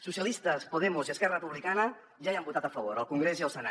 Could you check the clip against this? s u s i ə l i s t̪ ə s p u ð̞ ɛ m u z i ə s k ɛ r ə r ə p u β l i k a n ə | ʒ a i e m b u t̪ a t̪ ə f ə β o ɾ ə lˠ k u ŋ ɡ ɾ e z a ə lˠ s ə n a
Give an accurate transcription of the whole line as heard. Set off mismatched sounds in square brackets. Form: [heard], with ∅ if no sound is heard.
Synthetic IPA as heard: s u s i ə l i s t̪ ə s p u ð̞ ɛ m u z i ə s k ɛ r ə r ə p u β l i k a n ə | ʒ a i [a] m b u t̪ a t̪ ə f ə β o ɾ ə lˠ k u ŋ ɡ ɾ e z [i] ə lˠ s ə n a